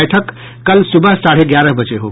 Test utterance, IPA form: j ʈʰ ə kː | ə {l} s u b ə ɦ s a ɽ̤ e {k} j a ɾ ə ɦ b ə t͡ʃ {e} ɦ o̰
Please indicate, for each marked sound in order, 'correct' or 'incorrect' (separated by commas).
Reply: correct, incorrect, correct